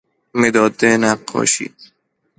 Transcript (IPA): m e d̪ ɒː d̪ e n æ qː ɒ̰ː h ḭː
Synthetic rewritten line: m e d̪ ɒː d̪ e n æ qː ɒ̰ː ʃ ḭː